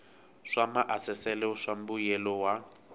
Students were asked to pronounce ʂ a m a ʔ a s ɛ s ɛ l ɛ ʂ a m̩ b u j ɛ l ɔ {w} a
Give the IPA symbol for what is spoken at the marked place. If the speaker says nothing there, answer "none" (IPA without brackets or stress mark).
w